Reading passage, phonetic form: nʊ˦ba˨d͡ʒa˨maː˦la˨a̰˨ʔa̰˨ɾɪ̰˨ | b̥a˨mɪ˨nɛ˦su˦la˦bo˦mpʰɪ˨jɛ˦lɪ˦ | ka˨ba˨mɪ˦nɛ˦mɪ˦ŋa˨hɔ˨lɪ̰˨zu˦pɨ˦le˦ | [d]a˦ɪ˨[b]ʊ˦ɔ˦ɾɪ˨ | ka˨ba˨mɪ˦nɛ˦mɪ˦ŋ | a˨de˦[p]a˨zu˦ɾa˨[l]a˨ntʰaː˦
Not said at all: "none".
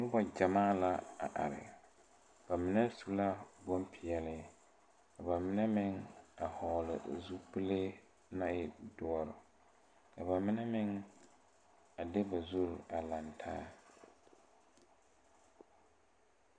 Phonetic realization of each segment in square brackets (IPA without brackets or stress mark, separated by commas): n, d, b, l